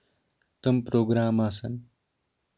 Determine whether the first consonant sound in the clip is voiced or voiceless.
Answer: voiceless